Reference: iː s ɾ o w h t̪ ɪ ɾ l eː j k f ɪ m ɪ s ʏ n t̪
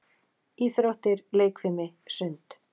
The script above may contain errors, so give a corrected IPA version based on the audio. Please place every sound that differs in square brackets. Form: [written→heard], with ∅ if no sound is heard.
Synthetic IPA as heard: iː [s→θ] ɾ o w h t̪ ɪ ɾ l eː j k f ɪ m ɪ s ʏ n t̪